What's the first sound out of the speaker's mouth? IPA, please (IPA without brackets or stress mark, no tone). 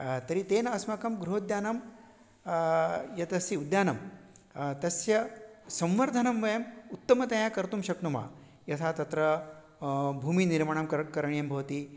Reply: t̪